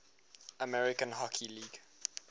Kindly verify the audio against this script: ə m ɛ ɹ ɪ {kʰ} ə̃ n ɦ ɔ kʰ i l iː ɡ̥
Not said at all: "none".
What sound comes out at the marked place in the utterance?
k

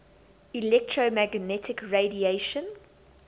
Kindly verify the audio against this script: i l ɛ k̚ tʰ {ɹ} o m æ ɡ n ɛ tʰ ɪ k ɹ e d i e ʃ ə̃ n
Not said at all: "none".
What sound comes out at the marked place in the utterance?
ɹ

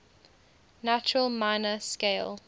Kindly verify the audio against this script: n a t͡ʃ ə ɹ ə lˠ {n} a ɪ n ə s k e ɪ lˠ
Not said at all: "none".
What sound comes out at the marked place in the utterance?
m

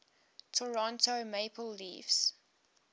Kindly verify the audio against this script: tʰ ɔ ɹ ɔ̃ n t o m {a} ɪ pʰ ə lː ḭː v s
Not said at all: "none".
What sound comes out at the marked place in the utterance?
e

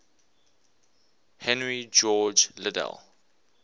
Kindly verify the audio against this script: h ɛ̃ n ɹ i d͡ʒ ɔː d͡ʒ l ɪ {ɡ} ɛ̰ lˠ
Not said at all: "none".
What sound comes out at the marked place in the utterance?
d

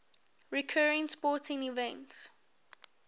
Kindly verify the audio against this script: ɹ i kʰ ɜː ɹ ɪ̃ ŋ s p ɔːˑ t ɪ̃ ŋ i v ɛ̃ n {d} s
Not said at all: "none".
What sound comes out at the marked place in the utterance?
t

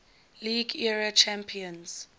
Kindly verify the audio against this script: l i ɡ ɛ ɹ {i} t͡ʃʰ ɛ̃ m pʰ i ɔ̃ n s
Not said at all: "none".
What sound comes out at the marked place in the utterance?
a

